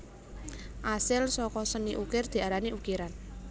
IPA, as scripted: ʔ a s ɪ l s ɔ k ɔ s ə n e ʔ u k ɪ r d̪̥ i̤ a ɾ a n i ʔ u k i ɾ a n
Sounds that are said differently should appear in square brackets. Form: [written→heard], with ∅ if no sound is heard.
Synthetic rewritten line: ʔ a s ɪ l s ɔ k ɔ s ə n [e→i] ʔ u k ɪ r d̪̥ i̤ a ɾ a n i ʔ u k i ɾ a n